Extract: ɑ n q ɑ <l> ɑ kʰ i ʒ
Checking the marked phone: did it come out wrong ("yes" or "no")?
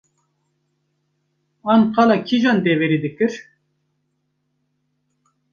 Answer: no